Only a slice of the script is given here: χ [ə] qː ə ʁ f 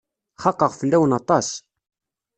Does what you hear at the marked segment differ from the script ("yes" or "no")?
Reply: yes